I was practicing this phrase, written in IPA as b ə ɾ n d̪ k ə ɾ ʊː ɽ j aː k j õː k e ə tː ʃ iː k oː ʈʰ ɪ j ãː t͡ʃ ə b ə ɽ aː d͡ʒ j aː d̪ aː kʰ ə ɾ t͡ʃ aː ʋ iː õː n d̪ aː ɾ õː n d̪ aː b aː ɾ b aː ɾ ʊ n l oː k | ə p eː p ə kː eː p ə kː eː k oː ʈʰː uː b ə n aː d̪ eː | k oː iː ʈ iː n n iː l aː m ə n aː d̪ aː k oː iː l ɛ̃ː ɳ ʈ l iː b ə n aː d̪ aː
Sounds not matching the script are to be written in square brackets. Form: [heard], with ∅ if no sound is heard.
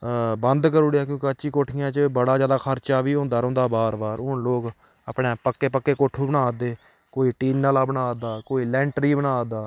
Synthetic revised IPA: b ə [∅] n d̪ k ə ɾ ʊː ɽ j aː k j õː k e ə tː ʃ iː k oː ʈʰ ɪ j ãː t͡ʃ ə b ə ɽ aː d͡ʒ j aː d̪ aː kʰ ə ɾ t͡ʃ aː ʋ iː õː n d̪ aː ɾ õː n d̪ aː b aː ɾ b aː ɾ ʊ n l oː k | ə p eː p ə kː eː p ə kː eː k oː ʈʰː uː b ə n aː d̪ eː | k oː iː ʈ iː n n [aː] l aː [b] ə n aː d̪ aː k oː iː l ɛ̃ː ɳ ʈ [ɾ] iː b ə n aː d̪ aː